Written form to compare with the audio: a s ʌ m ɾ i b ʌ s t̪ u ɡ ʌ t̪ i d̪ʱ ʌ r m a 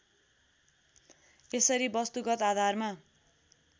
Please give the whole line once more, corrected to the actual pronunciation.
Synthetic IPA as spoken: e s ʌ ɾ i b ʌ s t̪ u ɡ ʌ t̪ a d̪ʱ a r m a